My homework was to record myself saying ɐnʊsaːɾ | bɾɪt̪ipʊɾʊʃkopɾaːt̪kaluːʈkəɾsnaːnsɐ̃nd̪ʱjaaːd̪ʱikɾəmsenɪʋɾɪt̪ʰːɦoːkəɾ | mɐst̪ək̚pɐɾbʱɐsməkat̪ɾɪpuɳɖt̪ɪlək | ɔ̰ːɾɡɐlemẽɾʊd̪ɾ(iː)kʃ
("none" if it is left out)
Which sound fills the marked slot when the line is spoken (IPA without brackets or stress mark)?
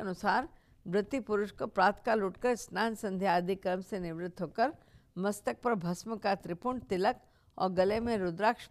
aː